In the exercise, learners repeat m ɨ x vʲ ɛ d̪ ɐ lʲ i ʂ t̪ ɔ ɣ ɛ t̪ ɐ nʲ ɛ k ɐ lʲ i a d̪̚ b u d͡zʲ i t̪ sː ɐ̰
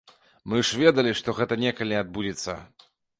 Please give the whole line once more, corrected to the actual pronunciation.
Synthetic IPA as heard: m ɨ ʂ vʲ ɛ d̪ ɐ lʲ i ʂ t̪ ɔ ɣ ɛ t̪ ɐ nʲ ɛ k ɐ lʲ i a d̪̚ b u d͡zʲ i t̪ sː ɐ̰